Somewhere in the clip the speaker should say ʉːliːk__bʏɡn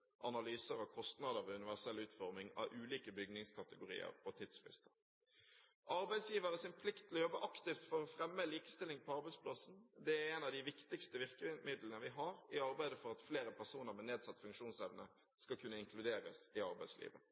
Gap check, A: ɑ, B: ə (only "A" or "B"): B